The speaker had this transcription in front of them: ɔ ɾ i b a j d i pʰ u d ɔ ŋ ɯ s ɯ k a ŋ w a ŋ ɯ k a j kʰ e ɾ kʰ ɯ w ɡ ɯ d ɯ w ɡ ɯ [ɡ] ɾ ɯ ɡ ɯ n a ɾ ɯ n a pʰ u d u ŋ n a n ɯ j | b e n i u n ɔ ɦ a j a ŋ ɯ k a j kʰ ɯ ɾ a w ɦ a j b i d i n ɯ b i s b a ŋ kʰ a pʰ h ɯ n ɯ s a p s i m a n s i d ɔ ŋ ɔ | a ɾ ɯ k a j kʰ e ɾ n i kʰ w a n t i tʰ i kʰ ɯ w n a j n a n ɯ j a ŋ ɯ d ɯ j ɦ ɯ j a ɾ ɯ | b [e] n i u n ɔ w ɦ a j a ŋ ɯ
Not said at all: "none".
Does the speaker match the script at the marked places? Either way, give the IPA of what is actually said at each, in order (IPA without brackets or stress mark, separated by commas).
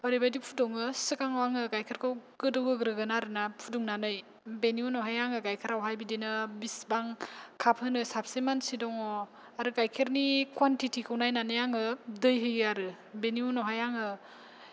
ɡ, e